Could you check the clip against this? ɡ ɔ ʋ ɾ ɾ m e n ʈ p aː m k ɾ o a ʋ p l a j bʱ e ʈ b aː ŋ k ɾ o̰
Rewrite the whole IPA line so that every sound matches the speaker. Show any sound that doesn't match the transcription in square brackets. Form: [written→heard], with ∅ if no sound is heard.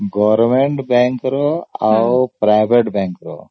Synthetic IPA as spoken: ɡ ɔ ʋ ɾ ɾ m e [n→ɳ] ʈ [p→b] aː [m→ŋ] k ɾ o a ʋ p [l→ɾ] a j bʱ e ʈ b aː ŋ k ɾ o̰

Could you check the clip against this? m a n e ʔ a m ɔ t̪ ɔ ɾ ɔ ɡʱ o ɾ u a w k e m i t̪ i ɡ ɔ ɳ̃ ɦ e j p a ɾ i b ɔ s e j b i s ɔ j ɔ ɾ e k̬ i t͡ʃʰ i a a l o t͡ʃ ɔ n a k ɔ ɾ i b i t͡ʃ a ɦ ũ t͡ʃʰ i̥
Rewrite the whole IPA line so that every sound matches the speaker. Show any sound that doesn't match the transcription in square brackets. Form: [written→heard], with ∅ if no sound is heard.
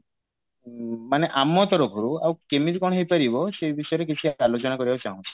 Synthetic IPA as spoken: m a n e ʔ a m ɔ t̪ ɔ ɾ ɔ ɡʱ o ɾ u a w k e m i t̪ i [ɡ→k] ɔ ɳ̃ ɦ e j p a ɾ i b ɔ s e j b i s ɔ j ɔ ɾ e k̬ i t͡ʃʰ i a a l o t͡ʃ ɔ n a k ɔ ɾ i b [i→a] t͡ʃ a ɦ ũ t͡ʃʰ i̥

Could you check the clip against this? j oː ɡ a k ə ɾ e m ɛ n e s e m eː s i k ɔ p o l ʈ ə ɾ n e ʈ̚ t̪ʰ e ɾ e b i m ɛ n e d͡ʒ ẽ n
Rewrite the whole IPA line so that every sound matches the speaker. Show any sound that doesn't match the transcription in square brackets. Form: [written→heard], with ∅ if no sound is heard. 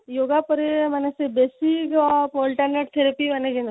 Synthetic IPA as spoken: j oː ɡ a [k→p] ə ɾ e m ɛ n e s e [m→b] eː s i k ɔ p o l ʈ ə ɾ n e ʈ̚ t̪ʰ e ɾ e [b→p] i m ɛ n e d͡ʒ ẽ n

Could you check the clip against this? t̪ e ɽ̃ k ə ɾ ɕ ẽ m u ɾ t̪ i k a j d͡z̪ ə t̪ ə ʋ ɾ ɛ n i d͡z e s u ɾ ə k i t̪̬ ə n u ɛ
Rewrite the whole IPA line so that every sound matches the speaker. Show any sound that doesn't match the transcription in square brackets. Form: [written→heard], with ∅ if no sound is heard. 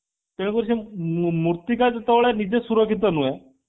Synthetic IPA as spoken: t̪ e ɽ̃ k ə ɾ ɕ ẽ m u ɾ t̪ i k a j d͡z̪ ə t̪ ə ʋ [ɾ→ɭ] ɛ n i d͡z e s u ɾ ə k i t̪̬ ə n u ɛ

